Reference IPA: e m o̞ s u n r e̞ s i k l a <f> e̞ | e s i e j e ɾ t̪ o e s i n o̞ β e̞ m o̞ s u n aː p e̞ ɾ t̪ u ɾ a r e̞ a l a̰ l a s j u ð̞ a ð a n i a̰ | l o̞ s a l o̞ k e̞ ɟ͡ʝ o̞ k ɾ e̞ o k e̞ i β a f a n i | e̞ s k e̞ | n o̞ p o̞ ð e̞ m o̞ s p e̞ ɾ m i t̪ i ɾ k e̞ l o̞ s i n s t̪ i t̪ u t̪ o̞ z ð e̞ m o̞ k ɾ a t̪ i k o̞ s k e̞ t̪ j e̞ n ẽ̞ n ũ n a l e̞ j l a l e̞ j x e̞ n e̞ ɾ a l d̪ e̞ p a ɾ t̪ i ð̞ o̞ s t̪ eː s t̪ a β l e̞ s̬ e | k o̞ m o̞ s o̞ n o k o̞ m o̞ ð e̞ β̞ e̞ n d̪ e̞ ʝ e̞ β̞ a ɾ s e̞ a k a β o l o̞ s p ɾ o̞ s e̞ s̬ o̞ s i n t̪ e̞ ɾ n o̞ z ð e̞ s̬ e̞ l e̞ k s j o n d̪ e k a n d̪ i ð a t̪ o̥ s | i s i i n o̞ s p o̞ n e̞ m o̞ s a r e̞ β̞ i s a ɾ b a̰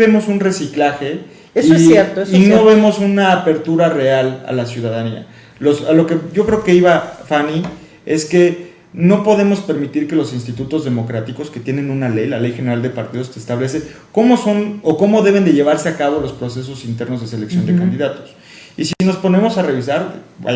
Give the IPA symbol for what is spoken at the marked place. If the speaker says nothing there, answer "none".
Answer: x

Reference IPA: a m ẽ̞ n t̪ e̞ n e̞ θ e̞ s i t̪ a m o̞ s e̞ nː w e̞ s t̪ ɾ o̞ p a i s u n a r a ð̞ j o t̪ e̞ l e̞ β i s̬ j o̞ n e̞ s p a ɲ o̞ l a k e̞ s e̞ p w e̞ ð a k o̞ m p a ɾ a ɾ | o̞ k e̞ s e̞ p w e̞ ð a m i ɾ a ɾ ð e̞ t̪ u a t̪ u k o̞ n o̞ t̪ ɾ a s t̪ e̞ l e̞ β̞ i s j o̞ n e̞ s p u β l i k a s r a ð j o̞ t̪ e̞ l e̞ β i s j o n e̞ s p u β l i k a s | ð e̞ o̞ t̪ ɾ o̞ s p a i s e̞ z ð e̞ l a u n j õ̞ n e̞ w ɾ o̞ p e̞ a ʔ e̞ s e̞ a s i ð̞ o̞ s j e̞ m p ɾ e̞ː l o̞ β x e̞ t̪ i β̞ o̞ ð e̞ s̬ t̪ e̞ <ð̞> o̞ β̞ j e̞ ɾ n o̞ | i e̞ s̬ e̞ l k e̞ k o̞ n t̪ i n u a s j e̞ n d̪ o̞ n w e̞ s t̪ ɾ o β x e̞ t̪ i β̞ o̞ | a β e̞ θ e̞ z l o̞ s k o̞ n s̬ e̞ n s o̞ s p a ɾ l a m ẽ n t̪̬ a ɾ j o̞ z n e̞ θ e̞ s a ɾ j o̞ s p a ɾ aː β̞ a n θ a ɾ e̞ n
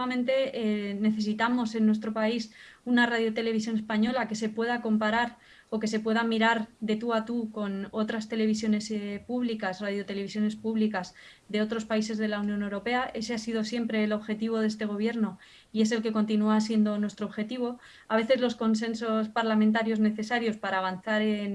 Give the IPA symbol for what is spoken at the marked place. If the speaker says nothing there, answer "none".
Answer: ɣ̞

